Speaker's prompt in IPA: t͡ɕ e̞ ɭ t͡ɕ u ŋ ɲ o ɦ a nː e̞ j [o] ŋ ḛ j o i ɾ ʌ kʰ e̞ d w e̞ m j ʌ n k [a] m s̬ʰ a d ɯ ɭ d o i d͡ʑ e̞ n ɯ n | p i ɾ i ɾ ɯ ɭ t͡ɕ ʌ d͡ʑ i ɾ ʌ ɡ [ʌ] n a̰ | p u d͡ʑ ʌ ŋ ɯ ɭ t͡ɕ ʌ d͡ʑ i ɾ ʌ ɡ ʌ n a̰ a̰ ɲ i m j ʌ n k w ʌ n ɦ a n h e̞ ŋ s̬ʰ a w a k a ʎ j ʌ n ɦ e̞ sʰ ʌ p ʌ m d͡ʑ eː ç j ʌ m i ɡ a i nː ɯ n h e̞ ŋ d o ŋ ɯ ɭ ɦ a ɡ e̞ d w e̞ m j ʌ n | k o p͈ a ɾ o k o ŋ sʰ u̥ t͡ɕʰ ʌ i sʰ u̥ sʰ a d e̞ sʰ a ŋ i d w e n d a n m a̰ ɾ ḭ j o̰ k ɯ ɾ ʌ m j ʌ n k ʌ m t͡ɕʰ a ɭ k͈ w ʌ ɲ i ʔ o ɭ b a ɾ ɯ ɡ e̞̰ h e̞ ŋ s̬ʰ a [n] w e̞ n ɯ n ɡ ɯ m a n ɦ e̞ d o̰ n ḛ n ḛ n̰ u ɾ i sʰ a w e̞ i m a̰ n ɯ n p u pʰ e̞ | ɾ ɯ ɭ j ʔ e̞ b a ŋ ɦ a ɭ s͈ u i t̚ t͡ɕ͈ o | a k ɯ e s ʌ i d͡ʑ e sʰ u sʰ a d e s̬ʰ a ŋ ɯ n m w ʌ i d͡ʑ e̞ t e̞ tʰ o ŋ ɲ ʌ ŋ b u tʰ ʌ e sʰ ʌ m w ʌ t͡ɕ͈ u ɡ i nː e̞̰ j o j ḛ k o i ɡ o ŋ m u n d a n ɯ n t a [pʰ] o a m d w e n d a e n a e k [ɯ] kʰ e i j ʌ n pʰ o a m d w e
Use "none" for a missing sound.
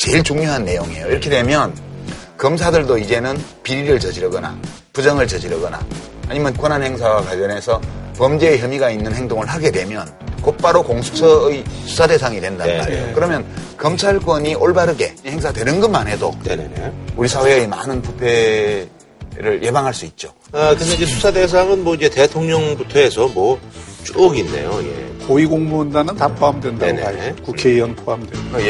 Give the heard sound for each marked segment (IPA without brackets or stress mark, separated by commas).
o, ʌ, ʌ, d, pʰ, u